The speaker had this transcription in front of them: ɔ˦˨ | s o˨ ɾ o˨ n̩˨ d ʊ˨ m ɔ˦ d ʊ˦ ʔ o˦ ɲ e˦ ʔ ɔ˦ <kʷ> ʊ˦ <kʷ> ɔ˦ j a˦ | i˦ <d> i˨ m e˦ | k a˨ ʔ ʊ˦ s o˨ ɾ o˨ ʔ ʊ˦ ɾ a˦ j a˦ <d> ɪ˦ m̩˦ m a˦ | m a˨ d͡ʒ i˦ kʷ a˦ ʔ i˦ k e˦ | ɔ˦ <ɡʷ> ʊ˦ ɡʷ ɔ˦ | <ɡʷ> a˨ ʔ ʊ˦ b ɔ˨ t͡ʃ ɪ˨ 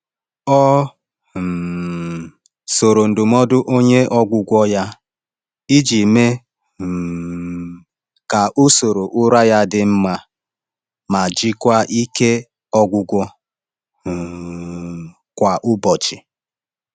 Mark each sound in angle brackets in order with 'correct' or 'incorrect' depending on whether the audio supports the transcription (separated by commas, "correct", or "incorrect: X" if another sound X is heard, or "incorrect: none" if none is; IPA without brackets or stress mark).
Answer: incorrect: ɡʷ, incorrect: ɡʷ, incorrect: d͡ʒ, correct, correct, incorrect: kʷ